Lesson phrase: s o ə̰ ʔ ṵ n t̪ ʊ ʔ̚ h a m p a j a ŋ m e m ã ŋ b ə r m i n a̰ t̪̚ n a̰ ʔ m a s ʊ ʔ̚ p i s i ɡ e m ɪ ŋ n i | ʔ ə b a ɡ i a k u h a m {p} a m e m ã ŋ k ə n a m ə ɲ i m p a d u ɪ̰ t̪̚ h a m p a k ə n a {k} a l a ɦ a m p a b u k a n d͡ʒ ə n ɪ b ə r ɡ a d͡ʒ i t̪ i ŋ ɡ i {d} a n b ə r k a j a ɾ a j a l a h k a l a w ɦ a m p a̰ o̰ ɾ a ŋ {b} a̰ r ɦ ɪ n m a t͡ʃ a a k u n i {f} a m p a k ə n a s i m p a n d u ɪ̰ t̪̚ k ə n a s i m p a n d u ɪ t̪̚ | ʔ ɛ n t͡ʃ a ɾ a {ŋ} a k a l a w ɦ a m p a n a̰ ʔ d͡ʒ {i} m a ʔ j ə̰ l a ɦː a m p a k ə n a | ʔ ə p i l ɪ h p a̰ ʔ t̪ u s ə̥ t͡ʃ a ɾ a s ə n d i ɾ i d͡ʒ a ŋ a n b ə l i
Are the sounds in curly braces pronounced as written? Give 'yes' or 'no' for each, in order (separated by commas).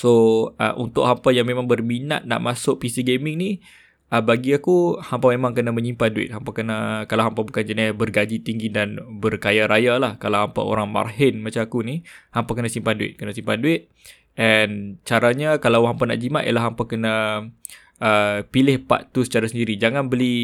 yes, yes, yes, no, no, no, yes